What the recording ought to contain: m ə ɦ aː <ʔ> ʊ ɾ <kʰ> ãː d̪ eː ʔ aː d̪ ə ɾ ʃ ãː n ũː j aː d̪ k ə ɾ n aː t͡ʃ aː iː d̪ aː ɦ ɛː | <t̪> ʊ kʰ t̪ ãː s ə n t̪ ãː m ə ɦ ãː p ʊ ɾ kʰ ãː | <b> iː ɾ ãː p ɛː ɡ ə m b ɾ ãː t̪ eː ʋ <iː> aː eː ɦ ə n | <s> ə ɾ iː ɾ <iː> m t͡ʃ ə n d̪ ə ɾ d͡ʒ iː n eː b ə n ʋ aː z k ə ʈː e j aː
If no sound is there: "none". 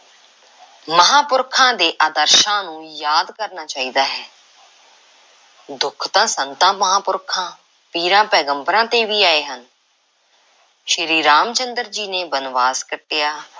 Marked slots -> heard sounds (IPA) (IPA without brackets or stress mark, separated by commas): p, kʰ, d̪, p, iː, ʃ, aː